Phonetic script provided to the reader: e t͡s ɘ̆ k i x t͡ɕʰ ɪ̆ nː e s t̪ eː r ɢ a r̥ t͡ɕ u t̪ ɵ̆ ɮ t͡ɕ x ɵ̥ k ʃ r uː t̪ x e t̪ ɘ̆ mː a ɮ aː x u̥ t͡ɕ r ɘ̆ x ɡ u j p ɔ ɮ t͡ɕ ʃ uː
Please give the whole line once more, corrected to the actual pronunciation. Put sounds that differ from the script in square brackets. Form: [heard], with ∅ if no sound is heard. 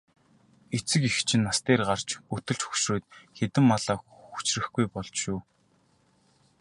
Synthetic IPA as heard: e t͡s ɘ̆ k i x t͡ɕʰ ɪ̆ nː [a] s t̪ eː r ɢ a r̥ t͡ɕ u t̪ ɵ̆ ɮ t͡ɕ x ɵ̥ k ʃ r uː t̪ x e t̪ ɘ̆ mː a ɮ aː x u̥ t͡ɕ r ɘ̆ x ɡ u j p ɔ ɮ t͡ɕ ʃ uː